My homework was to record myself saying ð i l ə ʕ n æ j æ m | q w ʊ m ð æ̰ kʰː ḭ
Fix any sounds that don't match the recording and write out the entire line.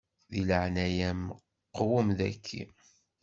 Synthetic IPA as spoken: ð i l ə ʕ n æ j æ m | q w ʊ m ð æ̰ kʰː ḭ